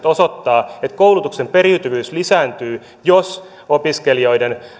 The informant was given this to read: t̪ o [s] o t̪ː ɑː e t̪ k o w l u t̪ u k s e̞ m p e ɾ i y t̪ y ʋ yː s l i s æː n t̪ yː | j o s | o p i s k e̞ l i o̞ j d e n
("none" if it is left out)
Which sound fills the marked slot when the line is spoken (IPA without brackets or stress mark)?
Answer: s